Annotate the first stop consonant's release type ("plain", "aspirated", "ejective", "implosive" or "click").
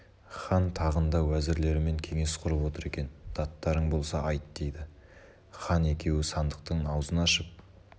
aspirated